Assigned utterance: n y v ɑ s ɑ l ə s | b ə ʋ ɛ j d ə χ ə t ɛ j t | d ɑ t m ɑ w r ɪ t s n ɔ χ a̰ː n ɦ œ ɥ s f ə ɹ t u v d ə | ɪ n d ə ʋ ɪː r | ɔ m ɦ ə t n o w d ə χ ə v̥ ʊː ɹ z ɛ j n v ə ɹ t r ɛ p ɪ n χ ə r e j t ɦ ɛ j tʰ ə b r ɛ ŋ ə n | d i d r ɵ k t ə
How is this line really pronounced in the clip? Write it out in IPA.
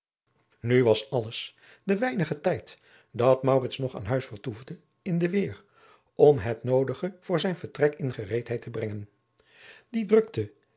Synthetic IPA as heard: n y ʋ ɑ s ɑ l ə s | d ə ʋ ɛ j n ə χ ə t ɛ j t | d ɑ t m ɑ w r ɪ t s n ɔ χ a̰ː n ɦ œ ɥ s f ə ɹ t u v d ə | ɪ n d ə ʋ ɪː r | ɔ m ɦ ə t n o w d ə χ ə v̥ ʊː ɹ z ɛ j n v ə ɹ t r ɛ k ɪ n χ ə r e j t ɦ ɛ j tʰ ə b r ɛ ŋ ə n | d i d r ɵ k t ə